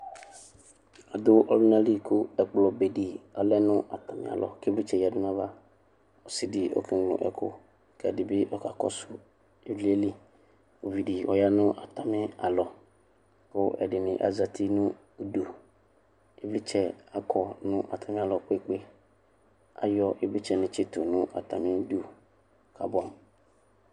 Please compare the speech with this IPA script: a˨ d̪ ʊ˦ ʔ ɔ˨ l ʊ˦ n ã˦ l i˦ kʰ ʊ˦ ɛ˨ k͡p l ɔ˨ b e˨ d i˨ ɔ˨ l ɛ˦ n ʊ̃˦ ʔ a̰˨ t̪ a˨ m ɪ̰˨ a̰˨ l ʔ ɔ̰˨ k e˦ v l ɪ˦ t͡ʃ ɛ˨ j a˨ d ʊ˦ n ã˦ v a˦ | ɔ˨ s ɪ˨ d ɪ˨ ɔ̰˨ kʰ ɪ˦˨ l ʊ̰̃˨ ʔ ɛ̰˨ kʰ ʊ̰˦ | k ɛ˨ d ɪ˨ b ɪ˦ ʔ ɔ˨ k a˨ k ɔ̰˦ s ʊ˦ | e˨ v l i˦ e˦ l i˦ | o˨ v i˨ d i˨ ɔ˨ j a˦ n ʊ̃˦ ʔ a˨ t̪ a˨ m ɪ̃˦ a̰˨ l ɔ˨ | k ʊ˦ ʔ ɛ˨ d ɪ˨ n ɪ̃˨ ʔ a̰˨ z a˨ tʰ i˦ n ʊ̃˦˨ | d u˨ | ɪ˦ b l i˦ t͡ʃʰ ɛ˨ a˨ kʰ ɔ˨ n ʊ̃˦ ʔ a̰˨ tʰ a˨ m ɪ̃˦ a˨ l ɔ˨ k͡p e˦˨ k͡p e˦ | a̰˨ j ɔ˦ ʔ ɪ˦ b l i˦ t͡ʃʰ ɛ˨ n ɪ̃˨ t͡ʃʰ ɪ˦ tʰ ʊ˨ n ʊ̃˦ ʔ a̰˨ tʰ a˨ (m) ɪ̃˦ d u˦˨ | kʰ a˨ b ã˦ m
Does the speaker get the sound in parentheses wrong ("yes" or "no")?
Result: no